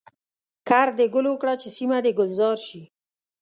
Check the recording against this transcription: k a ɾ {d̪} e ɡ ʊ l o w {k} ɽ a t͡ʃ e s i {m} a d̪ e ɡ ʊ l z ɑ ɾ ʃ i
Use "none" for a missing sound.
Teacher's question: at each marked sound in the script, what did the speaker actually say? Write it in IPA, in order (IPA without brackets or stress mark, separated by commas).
d̪, k, m